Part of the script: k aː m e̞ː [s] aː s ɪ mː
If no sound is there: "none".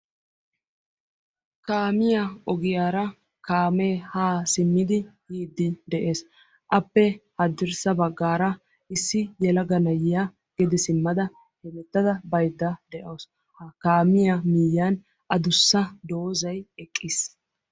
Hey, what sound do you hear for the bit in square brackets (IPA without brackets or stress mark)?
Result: h